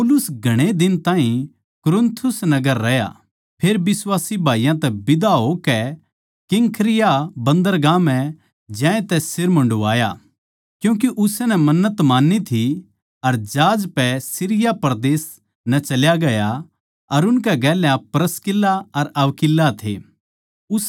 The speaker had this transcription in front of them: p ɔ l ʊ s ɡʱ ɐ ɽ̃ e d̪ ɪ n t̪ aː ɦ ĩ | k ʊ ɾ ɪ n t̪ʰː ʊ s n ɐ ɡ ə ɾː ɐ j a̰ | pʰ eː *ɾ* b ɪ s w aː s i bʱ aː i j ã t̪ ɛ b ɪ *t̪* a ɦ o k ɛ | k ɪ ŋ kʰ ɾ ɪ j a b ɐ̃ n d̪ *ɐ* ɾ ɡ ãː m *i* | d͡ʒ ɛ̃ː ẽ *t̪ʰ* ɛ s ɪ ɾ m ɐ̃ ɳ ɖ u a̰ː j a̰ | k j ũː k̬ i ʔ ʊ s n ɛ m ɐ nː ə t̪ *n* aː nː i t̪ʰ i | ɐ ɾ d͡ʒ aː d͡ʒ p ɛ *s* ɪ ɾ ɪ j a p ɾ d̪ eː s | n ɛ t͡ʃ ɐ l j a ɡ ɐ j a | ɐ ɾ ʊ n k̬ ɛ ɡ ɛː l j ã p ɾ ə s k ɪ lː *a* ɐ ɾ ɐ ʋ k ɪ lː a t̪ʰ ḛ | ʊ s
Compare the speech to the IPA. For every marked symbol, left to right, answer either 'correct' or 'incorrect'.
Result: correct, incorrect, incorrect, incorrect, incorrect, incorrect, correct, correct

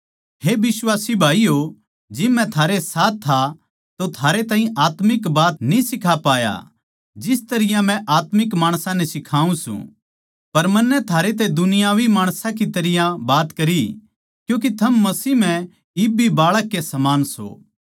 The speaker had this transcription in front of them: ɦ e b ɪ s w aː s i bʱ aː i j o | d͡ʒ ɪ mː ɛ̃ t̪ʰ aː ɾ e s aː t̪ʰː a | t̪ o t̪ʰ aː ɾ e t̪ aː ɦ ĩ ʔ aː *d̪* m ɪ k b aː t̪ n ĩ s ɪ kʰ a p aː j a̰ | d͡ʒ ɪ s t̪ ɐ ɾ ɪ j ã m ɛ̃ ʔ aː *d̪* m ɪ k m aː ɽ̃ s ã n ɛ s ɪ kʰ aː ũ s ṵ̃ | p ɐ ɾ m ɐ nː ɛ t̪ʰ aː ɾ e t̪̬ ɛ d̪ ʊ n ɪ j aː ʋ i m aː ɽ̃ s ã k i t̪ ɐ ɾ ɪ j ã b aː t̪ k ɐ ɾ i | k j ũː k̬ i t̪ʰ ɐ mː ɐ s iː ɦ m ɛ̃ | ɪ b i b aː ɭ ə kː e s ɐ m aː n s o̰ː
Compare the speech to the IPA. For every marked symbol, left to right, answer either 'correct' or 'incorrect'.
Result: incorrect, incorrect

